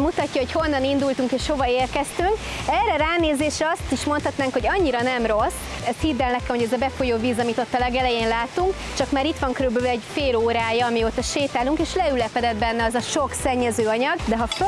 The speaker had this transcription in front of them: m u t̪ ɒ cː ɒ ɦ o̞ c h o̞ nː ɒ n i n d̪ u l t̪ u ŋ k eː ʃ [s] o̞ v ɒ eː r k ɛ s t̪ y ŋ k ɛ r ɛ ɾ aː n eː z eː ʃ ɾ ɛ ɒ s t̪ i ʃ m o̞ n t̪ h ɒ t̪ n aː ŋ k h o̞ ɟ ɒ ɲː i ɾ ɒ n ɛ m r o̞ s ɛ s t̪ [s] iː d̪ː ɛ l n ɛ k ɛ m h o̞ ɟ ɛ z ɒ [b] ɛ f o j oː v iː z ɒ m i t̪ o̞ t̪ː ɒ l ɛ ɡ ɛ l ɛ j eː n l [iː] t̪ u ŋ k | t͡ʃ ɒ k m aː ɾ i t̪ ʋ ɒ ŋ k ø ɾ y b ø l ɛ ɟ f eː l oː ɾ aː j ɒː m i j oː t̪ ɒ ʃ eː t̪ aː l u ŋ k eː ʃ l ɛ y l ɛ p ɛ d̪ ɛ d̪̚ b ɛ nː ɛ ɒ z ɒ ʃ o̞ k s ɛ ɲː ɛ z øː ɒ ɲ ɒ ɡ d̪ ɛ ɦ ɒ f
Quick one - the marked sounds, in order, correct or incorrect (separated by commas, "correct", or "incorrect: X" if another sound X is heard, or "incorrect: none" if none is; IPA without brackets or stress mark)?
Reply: incorrect: h, incorrect: h, correct, incorrect: aː